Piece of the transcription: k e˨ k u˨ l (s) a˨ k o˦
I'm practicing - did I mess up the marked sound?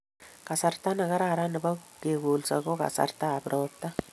no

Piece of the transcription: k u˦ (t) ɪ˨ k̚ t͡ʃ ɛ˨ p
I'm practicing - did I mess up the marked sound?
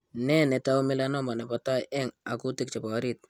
no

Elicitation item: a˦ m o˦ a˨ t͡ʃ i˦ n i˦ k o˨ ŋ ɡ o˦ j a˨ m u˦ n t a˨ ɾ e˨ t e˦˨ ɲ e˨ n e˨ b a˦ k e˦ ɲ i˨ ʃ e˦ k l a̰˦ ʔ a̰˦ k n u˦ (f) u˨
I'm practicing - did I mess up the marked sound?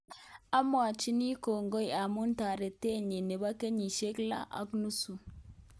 yes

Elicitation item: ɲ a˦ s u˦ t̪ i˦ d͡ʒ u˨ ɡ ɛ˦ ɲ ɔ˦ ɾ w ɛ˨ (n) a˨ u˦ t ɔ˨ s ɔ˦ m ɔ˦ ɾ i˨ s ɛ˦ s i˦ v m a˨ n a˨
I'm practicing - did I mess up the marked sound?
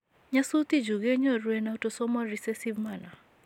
no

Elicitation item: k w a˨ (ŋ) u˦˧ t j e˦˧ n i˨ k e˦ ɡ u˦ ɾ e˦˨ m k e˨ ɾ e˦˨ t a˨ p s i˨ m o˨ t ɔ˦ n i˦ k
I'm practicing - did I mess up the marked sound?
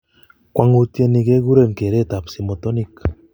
no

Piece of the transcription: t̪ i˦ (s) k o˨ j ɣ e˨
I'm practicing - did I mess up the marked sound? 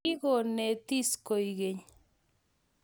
no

